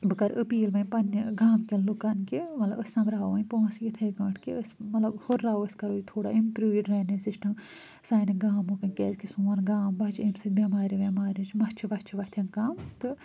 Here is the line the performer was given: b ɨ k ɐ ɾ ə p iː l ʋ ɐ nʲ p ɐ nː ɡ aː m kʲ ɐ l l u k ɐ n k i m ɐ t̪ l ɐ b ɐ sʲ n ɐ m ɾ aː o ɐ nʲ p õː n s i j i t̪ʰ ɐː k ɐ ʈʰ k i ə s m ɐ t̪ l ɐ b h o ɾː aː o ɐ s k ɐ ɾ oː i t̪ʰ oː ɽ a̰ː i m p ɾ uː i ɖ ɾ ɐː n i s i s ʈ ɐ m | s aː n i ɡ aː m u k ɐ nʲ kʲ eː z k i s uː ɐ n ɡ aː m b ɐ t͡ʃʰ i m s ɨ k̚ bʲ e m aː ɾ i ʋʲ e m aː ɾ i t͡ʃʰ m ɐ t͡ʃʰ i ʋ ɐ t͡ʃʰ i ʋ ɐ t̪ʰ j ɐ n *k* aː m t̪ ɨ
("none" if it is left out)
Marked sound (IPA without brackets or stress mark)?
k